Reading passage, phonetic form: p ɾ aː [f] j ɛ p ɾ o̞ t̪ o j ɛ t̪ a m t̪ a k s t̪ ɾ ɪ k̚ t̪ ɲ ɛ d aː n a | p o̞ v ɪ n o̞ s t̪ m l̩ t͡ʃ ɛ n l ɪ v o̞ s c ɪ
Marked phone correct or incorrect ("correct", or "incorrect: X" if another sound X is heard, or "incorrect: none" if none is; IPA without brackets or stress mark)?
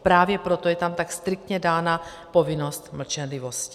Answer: incorrect: v